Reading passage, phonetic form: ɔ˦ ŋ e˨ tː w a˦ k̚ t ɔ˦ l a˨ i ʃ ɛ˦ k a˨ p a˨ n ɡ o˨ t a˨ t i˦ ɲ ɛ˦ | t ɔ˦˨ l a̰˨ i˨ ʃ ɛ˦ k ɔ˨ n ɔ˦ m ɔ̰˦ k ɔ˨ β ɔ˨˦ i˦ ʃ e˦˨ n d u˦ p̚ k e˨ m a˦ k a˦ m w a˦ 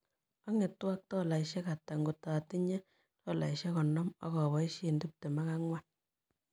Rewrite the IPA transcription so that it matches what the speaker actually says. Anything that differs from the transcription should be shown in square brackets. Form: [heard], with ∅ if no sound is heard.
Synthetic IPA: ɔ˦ ŋ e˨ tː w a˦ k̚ t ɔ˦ l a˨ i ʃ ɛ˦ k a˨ [t] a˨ [ŋ] ɡ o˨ t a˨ t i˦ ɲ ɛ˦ | t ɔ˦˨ l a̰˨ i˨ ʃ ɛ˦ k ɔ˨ n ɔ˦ m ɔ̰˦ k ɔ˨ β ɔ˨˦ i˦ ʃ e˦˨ n d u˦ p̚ [t] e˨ m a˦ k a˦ [ŋ] w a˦